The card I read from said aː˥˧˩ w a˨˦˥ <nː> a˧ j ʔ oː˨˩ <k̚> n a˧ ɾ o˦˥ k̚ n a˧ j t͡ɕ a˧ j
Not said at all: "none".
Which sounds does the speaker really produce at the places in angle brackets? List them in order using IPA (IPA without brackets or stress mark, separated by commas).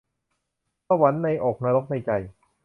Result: nː, k̚